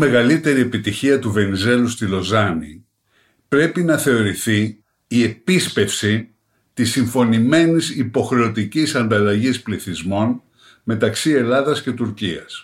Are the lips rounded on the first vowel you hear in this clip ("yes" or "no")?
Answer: no